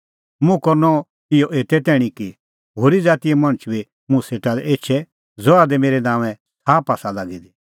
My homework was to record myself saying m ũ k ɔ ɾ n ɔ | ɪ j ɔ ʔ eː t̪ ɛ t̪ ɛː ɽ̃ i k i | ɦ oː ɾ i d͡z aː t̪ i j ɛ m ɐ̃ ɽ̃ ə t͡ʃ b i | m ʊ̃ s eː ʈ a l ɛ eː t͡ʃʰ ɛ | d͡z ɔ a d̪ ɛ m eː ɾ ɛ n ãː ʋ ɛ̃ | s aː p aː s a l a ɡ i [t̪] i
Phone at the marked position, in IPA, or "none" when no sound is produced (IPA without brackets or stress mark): d̪